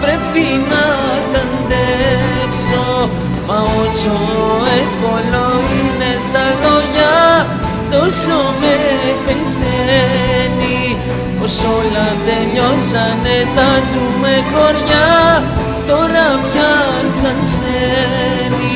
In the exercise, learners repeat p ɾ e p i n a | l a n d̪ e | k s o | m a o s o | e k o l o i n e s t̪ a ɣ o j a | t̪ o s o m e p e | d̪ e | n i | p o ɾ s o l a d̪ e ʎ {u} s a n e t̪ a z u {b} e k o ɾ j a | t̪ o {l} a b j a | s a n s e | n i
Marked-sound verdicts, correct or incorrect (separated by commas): incorrect, incorrect, incorrect